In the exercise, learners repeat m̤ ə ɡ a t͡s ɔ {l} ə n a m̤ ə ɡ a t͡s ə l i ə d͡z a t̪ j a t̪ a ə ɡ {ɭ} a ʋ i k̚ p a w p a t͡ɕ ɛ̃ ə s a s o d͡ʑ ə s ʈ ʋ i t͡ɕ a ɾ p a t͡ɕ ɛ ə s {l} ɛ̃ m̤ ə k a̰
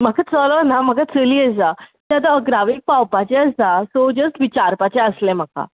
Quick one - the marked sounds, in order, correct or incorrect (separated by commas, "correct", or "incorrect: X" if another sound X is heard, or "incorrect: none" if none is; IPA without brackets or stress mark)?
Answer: correct, incorrect: ɾ, correct